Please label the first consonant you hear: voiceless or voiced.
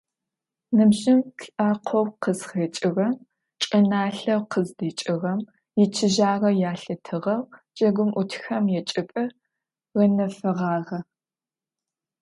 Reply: voiced